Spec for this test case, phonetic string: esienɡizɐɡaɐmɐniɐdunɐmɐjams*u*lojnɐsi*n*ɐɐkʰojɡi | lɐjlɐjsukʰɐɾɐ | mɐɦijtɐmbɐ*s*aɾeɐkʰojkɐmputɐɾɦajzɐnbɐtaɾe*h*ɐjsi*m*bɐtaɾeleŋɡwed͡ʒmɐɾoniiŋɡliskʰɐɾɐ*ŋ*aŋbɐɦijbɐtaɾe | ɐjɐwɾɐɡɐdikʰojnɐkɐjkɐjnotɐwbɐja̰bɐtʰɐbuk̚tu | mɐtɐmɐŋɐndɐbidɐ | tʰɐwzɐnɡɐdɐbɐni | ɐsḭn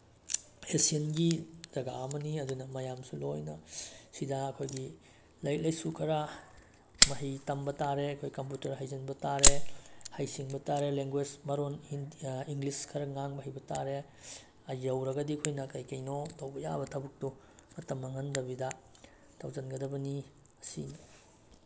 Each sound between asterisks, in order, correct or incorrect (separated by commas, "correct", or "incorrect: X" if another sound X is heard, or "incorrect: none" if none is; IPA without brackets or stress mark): correct, incorrect: d, incorrect: t, correct, incorrect: ŋ, correct